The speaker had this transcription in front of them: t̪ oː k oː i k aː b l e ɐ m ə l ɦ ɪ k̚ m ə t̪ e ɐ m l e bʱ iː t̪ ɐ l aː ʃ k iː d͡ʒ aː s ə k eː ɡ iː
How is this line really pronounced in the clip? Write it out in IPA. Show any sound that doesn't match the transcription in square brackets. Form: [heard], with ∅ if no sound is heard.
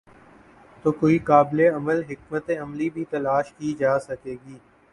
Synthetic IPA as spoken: t̪ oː k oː i k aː b l e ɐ m ə l ɦ ɪ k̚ m ə t̪ e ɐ m l [i] bʱ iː t̪ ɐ l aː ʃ k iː d͡ʒ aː s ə k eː ɡ iː